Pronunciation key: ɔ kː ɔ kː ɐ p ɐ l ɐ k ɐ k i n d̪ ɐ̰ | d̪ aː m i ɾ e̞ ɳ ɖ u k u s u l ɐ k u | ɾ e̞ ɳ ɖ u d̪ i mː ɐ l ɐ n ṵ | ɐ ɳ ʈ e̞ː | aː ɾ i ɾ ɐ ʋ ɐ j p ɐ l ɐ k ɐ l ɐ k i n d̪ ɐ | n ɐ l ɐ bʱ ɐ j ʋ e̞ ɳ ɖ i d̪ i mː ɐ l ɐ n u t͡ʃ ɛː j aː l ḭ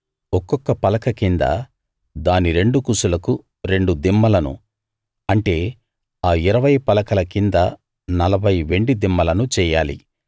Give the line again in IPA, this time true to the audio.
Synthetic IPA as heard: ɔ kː ɔ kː ɐ p ɐ l ɐ k ɐ k i n d̪ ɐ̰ | d̪ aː n i ɾ e̞ ɳ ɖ u k u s u l ɐ k u | ɾ e̞ ɳ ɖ u d̪ i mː ɐ l ɐ n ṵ | ɐ ɳ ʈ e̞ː | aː i ɾ ɐ ʋ ɐ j p ɐ l ɐ k ɐ l ɐ k i n d̪ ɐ | n ɐ l ɐ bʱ ɐ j ʋ e̞ ɳ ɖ i d̪ i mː ɐ l ɐ n u t͡ʃ ɛː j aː l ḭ